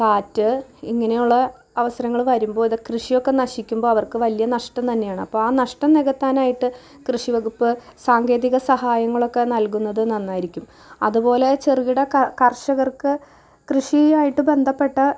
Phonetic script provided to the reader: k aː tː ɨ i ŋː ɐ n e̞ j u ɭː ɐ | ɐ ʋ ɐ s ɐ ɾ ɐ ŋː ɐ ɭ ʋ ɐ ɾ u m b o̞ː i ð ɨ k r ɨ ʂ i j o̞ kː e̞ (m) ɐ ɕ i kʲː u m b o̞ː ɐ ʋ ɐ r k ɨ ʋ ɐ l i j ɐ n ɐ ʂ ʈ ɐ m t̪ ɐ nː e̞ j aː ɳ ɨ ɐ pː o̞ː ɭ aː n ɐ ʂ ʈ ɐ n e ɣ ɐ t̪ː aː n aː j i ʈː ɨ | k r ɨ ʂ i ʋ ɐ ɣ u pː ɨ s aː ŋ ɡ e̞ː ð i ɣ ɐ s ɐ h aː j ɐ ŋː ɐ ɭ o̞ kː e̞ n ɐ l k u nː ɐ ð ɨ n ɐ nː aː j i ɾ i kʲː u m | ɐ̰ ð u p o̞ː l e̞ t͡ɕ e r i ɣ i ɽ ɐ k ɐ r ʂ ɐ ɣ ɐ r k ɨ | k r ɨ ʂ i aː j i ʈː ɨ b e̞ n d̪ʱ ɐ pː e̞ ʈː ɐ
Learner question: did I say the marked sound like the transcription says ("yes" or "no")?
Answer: no